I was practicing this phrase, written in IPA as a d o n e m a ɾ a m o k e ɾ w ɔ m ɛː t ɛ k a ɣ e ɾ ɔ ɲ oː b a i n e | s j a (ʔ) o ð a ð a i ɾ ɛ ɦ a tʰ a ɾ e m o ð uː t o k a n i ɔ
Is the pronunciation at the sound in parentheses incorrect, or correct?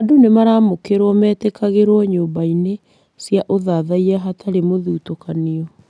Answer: correct